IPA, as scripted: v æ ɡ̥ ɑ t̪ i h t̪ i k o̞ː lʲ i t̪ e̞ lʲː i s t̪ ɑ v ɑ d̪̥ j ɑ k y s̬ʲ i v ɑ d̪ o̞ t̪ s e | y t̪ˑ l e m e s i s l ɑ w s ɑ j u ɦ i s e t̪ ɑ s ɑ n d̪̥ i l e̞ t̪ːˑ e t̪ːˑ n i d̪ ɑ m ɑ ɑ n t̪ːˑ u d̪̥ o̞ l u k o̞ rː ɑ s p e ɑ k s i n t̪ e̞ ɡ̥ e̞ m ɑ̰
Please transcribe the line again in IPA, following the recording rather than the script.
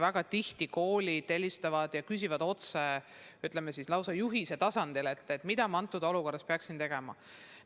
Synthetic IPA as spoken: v æ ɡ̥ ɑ t̪ i h t̪ i k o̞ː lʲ i t̪ e̞ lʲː i s t̪ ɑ v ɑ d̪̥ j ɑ k y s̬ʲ i v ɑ d̪ o̞ t̪ s e | y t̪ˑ l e m e s i s l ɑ w s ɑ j u ɦ i s e t̪ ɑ s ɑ n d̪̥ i l e̞ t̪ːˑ e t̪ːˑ m i d̪ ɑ m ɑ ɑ n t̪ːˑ u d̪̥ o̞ l u k o̞ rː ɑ s p e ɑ k s i n t̪ e̞ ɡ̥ e̞ m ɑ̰